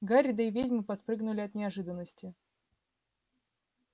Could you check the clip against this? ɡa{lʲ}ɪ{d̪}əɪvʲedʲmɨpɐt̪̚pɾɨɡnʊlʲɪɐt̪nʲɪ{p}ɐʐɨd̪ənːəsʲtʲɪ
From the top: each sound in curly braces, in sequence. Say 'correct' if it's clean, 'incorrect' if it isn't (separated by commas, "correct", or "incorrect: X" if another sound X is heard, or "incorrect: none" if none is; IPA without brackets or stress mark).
incorrect: ɾʲ, correct, incorrect: none